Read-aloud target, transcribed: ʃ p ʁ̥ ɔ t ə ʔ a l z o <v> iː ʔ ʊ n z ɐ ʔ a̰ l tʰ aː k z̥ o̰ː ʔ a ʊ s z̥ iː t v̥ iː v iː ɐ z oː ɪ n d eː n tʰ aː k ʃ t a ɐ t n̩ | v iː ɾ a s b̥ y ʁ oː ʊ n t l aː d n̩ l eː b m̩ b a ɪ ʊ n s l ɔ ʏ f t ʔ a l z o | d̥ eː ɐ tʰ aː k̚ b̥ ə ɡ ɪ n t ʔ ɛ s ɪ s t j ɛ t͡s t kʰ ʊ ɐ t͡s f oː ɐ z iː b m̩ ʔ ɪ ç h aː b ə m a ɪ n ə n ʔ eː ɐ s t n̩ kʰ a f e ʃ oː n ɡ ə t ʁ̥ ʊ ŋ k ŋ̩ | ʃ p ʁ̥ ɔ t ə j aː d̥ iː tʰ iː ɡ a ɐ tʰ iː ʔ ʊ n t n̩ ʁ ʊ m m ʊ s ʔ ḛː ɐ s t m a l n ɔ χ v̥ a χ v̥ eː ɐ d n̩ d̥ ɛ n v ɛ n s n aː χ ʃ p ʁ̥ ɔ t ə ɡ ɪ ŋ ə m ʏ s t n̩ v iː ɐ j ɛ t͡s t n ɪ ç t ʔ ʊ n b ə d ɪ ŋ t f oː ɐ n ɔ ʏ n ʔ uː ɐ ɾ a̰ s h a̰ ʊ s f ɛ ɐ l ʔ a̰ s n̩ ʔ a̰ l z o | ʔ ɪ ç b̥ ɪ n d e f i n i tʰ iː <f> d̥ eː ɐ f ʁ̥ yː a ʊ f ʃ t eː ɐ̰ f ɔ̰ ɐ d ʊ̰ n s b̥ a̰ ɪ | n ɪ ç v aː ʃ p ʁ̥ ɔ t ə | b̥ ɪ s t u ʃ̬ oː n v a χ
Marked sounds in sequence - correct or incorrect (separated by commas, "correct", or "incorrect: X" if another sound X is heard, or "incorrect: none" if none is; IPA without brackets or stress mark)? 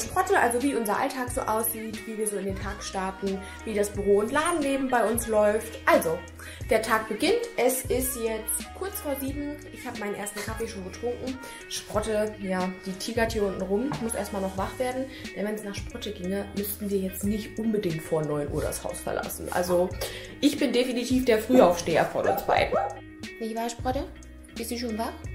correct, correct